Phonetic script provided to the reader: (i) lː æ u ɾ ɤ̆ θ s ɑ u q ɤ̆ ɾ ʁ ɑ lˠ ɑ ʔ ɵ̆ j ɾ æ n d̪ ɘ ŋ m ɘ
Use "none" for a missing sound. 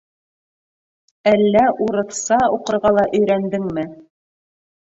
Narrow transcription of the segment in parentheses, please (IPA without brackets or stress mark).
æ